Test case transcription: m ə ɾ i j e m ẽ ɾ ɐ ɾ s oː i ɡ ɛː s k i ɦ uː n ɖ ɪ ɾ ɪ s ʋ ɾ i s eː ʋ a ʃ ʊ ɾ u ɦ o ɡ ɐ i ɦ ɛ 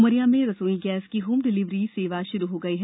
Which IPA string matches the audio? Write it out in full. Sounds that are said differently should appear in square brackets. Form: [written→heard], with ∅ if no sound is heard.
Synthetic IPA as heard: m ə ɾ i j [e→a] m ẽ ɾ ɐ [ɾ→∅] s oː i ɡ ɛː s k i ɦ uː [n→m] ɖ ɪ [ɾ→l] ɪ [s→∅] ʋ ɾ i s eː ʋ a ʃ ʊ ɾ u ɦ o ɡ ɐ i ɦ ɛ